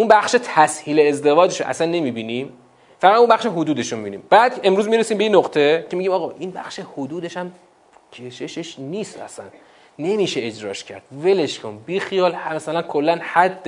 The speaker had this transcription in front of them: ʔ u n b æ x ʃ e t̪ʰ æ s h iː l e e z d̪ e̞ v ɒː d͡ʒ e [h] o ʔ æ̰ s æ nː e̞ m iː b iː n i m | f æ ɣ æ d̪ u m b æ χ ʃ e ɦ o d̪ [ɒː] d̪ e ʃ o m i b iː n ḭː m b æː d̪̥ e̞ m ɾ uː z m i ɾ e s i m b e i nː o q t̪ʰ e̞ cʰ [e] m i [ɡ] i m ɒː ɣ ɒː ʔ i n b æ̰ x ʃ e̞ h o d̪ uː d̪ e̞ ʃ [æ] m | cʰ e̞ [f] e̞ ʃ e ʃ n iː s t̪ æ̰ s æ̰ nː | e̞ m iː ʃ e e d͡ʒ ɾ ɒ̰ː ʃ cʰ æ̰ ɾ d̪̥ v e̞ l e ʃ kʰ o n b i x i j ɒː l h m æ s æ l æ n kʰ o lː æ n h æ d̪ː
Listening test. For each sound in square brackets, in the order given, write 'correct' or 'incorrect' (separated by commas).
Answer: incorrect, incorrect, correct, incorrect, correct, incorrect